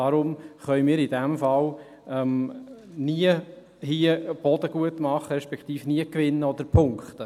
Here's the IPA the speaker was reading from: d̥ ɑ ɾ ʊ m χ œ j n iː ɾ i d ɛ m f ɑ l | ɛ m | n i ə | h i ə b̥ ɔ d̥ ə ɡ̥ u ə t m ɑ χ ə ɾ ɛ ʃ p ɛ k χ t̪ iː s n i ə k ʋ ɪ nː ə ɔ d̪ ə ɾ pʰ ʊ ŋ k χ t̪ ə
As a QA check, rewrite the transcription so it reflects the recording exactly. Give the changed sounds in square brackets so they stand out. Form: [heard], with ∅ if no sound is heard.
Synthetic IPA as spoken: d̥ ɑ ɾ ʊ m χ œ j [m] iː ɾ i d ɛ m f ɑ l | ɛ m | n i ə | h i ə b̥ ɔ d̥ ə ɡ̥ u ə t m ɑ χ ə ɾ ɛ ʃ p ɛ k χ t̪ iː [f] n i ə k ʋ ɪ nː ə ɔ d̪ ə ɾ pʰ ʊ ŋ k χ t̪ ə